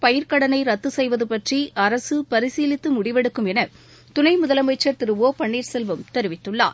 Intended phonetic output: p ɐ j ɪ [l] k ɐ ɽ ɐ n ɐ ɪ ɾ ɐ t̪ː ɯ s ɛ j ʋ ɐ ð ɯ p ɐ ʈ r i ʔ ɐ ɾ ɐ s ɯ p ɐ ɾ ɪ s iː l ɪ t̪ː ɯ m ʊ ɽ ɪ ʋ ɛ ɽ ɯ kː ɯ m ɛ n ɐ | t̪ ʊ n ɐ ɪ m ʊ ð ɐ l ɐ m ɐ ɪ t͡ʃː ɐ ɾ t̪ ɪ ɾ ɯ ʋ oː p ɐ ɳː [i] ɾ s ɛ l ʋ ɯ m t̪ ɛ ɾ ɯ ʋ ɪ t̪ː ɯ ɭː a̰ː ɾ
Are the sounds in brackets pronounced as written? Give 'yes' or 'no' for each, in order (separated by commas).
no, no